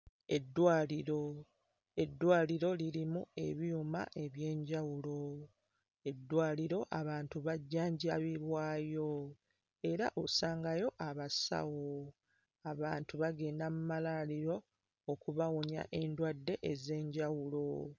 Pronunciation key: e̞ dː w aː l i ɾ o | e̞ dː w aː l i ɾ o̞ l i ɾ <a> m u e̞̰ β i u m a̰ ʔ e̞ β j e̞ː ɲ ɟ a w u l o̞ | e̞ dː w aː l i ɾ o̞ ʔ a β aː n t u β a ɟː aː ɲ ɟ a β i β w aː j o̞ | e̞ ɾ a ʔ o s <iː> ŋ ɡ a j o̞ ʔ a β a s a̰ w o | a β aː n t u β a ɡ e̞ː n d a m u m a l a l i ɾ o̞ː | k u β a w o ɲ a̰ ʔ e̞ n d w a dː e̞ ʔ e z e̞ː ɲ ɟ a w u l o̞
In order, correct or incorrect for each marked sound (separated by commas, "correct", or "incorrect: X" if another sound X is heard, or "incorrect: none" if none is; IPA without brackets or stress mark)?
incorrect: i, incorrect: aː